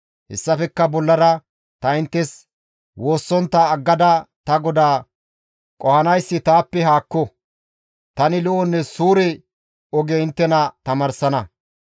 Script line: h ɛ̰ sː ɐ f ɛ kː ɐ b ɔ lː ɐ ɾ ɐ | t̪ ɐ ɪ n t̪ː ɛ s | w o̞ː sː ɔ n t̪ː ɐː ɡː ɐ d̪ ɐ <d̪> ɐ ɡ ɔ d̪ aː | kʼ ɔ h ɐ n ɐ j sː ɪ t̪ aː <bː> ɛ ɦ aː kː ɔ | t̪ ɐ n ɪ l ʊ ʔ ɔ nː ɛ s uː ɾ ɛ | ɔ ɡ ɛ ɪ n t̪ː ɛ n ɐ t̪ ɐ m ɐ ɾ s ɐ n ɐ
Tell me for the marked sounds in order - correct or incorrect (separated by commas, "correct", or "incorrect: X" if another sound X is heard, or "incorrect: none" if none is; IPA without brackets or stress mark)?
incorrect: t̪, incorrect: pː